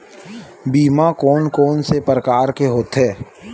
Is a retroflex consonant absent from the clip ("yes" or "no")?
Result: yes